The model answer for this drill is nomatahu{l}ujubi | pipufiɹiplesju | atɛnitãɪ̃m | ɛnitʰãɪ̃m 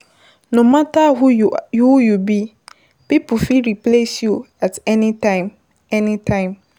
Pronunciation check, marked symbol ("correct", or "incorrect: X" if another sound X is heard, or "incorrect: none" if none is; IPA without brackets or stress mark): incorrect: none